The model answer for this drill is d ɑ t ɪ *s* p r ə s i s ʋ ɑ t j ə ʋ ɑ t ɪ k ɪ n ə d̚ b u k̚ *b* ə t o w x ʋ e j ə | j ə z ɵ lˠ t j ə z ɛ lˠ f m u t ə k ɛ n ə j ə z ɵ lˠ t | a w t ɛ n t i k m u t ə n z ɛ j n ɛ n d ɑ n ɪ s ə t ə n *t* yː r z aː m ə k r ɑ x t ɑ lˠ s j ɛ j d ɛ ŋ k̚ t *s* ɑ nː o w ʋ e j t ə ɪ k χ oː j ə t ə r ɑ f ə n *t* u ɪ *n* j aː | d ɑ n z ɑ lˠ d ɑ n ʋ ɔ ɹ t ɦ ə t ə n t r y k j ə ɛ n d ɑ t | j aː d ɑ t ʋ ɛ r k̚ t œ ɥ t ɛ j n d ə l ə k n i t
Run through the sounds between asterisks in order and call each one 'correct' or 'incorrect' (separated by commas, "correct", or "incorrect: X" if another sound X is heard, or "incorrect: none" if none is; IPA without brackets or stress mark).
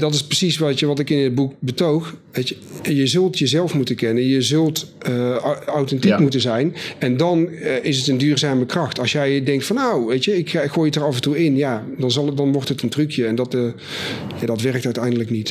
correct, correct, incorrect: d, incorrect: f, correct, correct